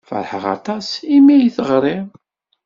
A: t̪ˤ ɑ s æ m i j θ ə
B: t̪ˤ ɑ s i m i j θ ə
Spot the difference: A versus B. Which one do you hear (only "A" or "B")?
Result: B